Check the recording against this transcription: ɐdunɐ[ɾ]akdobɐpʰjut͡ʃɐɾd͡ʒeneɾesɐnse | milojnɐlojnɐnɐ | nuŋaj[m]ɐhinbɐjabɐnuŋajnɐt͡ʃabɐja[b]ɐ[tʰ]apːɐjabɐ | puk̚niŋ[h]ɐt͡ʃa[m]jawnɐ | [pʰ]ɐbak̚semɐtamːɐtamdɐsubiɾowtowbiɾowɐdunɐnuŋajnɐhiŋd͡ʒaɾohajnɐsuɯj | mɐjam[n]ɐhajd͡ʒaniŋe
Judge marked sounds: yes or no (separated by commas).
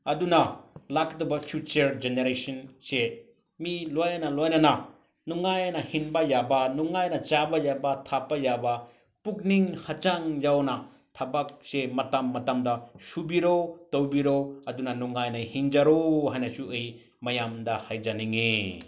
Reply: no, no, yes, yes, yes, no, no, no